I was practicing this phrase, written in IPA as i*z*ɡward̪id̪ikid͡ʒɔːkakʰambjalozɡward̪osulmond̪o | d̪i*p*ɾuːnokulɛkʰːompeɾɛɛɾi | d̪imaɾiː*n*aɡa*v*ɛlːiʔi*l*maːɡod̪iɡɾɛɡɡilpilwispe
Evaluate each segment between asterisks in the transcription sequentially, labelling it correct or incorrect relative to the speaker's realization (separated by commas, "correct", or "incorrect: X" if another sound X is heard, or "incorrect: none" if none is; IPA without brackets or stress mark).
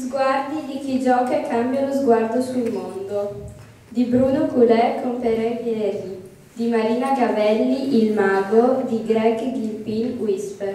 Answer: correct, incorrect: b, correct, correct, correct